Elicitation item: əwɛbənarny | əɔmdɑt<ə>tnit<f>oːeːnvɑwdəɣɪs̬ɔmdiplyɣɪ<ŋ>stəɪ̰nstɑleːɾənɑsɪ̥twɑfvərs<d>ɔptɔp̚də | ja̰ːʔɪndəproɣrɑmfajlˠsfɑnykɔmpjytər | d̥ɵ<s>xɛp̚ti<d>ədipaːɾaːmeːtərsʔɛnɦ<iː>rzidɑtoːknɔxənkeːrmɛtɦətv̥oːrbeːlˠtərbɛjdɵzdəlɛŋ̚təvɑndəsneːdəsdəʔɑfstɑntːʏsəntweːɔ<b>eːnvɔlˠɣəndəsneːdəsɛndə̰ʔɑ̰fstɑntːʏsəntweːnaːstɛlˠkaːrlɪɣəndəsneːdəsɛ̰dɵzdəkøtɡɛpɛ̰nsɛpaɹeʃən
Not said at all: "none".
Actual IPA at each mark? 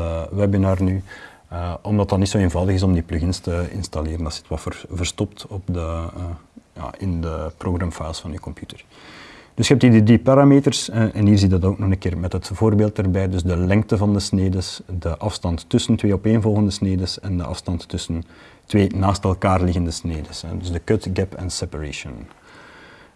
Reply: ɑ, s, n, t, s, d, iː, p

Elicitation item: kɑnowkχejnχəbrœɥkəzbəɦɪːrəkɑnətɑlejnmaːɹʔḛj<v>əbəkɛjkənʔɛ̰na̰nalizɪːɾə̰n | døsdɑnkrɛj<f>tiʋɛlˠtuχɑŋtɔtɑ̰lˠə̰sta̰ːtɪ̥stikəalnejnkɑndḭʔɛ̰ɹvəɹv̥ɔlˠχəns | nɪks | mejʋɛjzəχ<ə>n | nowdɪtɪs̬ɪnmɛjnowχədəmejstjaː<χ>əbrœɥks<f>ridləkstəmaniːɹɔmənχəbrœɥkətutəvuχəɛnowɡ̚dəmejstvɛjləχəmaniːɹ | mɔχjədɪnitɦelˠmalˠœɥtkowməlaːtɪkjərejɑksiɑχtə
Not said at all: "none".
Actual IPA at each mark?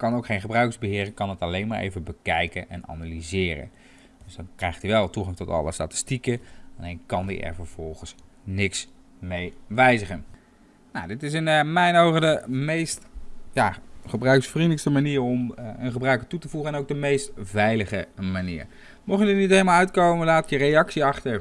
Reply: v, χ, ə, χ, f

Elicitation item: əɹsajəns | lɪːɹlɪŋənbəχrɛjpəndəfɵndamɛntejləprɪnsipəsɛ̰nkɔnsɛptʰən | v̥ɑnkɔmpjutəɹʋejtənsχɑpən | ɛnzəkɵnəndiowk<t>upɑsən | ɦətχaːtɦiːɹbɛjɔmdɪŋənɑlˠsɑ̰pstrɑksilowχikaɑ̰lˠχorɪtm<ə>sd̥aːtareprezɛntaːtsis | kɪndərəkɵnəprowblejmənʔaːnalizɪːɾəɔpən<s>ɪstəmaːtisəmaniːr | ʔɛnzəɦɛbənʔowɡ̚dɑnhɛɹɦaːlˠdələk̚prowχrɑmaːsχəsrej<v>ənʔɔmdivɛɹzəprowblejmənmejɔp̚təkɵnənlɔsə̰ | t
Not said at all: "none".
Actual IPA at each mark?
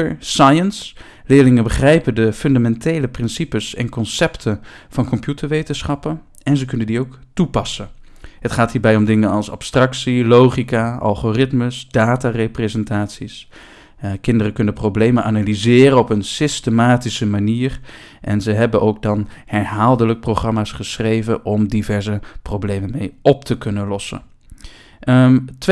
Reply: t, ə, s, v

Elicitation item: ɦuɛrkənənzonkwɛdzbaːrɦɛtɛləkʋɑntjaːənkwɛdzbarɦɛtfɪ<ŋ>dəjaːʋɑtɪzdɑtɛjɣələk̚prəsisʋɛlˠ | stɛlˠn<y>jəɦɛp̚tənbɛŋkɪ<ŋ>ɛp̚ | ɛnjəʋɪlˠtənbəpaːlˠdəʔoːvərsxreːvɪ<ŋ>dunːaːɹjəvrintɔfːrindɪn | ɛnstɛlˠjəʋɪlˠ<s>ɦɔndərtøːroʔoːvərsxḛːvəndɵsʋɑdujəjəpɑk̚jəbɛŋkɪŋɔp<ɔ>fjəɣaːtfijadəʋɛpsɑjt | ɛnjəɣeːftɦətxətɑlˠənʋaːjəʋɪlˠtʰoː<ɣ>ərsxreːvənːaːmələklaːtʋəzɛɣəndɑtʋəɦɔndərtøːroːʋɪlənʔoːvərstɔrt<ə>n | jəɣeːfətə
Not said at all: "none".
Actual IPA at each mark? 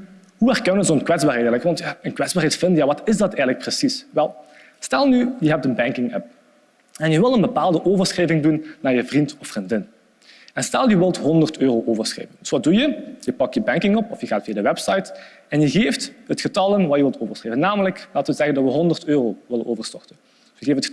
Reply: n, y, ŋ, ŋ, t, ɔ, v, ə

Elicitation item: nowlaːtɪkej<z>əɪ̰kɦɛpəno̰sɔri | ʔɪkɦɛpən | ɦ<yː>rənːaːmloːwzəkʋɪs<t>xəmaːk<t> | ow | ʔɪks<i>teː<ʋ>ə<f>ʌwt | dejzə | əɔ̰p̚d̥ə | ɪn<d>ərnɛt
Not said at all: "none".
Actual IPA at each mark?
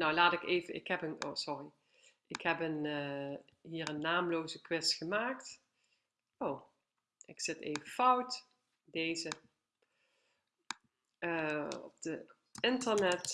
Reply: v, iː, t, t, ɪ, v, f, t

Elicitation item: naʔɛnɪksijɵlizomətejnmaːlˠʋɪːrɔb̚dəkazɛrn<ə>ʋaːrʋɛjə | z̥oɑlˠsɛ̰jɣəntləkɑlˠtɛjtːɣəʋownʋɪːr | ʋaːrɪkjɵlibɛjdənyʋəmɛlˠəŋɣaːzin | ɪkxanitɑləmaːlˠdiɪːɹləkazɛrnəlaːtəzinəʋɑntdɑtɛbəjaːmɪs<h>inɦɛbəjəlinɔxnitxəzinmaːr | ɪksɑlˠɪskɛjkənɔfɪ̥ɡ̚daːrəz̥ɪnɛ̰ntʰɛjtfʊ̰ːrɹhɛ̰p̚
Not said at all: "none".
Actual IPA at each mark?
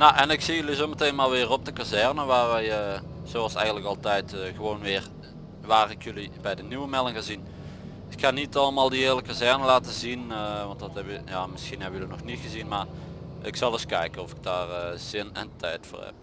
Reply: ə, x

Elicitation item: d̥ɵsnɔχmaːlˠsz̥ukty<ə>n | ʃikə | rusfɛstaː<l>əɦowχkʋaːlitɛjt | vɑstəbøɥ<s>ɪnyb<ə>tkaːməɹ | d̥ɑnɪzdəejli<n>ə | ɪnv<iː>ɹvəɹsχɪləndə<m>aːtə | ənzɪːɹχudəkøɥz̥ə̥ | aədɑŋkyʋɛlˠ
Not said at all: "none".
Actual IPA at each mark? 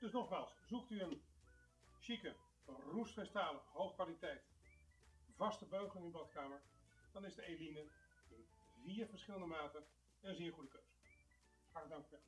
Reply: ə, l, χ, ɑ, n, iː, m

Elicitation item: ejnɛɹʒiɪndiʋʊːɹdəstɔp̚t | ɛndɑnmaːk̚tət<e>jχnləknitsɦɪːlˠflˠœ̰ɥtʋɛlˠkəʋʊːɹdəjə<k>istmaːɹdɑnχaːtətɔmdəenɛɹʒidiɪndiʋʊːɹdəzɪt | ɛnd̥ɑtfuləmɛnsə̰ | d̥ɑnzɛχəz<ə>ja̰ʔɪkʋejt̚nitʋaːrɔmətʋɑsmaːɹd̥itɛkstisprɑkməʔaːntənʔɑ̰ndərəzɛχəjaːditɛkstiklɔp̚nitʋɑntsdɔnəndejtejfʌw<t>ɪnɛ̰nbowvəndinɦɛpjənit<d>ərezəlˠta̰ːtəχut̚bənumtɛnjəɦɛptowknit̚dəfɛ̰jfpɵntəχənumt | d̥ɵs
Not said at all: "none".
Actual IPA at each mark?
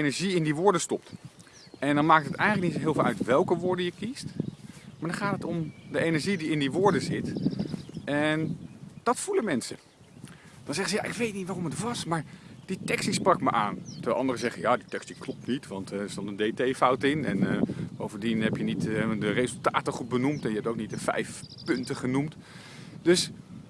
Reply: ɛ, k, ə, t, d

